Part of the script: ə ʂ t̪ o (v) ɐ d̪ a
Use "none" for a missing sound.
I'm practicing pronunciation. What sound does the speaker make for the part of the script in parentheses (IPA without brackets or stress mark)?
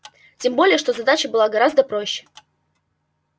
z